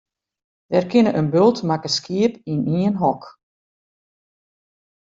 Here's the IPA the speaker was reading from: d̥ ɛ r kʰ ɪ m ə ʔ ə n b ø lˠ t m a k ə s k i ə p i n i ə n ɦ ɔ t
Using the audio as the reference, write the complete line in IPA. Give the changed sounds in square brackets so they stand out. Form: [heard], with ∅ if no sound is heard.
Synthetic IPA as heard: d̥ ɛ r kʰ ɪ [n] ə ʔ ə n b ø lˠ t m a k ə s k i ə p i n i ə n ɦ ɔ [k]

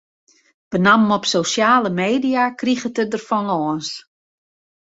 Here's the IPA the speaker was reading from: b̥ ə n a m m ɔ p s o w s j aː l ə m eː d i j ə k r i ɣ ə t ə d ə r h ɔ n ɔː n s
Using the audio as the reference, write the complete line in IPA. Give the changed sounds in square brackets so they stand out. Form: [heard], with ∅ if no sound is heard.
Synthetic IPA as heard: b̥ ə n a m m ɔ p s o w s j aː l ə m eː d i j [a] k r i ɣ ə t ə d ə r [f] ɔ n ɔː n s

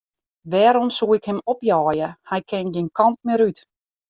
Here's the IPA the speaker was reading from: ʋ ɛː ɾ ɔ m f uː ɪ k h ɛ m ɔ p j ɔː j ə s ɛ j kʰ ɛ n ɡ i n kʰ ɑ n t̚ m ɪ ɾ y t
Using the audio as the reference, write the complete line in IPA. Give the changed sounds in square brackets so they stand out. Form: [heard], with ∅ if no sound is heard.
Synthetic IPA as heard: ʋ ɛː ɾ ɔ m [s] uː ɪ k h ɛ m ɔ p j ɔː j ə [h] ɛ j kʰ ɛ n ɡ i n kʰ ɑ n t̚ m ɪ ɾ y t

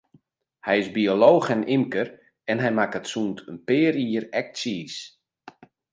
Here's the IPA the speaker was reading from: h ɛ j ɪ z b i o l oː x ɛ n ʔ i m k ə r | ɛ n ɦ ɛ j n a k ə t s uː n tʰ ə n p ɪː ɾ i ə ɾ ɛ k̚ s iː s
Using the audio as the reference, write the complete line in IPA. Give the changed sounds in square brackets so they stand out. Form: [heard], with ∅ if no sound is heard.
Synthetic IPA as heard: h ɛ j ɪ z b i o l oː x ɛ n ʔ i m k ə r | ɛ n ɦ ɛ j [m] a k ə t s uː n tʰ ə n p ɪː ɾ i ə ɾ ɛ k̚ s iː s

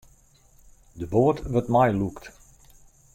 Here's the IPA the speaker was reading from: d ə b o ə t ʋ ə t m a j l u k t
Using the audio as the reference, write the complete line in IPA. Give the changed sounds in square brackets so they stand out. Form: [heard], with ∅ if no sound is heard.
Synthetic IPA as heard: d ə b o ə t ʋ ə t m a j l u k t

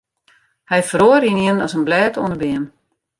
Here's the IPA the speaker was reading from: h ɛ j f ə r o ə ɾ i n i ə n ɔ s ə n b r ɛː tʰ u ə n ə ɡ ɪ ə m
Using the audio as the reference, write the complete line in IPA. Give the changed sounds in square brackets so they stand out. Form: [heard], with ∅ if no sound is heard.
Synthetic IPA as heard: h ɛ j f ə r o ə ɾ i n i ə n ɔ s ə n b [l] ɛː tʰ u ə n ə [b] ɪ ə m

